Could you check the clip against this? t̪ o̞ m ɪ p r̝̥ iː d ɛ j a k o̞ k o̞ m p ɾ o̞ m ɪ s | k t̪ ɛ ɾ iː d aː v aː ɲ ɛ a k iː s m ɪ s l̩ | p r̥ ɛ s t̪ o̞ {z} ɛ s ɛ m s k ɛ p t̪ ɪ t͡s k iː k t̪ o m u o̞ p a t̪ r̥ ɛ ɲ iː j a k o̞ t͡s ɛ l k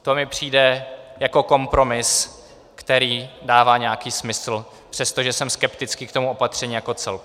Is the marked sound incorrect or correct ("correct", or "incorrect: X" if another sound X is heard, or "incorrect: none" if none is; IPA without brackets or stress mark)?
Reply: incorrect: ʒ